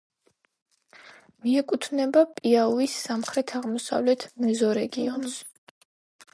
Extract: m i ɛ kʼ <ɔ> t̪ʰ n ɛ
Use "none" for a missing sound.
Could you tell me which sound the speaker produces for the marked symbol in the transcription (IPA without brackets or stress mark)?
u